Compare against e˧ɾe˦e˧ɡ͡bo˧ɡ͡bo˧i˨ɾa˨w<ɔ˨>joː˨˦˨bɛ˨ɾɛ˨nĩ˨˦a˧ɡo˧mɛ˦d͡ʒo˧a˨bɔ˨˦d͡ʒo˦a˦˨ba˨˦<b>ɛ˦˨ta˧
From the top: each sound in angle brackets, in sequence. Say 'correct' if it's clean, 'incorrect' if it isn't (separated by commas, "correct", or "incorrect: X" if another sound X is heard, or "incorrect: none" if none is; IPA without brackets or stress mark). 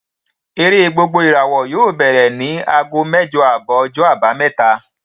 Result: correct, incorrect: m